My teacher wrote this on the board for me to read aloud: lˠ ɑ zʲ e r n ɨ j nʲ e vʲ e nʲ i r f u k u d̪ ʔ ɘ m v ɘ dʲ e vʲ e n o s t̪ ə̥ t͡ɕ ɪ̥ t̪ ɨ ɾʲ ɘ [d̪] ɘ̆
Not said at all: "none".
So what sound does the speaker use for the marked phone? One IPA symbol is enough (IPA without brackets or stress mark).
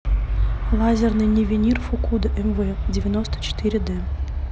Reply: d̪